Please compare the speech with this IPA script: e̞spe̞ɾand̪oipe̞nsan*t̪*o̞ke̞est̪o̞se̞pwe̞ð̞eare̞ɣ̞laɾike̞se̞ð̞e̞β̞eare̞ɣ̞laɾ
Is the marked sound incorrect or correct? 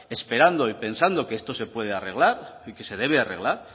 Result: incorrect